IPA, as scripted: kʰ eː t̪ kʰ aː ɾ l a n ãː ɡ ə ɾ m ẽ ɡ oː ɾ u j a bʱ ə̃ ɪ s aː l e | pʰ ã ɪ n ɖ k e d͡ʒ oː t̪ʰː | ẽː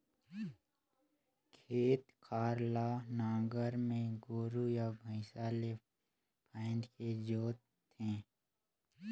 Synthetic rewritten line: kʰ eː t̪ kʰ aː ɾ l a n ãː ɡ ə ɾ m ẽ ɡ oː ɾ u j a bʱ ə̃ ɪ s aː l e | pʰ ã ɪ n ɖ k e d͡ʒ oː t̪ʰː | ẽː